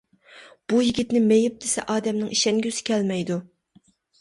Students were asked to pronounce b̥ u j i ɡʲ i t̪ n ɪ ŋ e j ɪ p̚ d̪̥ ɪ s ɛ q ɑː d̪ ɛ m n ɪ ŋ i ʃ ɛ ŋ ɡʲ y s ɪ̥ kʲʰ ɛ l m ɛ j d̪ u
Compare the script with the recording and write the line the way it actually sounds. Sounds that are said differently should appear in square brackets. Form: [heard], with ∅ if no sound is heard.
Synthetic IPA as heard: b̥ u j i ɡʲ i t̪ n ɪ [m] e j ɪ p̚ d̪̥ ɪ s ɛ [ʔ] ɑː d̪ ɛ m n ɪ ŋ i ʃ ɛ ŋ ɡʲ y s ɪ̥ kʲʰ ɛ l m ɛ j d̪ u